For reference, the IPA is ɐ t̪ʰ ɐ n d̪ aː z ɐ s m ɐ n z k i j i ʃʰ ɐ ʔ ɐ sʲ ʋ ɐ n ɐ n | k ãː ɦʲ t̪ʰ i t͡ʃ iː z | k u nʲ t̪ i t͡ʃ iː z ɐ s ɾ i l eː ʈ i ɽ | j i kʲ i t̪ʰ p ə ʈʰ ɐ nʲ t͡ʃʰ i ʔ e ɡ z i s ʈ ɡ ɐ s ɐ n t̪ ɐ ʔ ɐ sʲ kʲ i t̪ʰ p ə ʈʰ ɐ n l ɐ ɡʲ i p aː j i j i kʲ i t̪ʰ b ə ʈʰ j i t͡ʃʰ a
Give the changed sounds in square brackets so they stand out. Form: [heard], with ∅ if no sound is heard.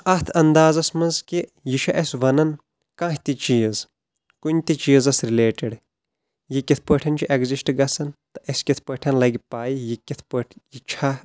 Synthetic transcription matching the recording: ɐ t̪ʰ ɐ n d̪ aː z ɐ s m ɐ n z k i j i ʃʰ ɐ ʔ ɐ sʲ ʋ ɐ n ɐ n | k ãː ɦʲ [t̪] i t͡ʃ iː z | k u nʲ t̪ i t͡ʃ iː z ɐ s ɾ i l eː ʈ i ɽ | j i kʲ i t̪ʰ p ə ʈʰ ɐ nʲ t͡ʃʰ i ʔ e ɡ z i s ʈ ɡ ɐ s ɐ n t̪ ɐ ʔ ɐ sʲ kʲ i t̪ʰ p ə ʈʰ ɐ n l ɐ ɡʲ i p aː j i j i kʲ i t̪ʰ [p] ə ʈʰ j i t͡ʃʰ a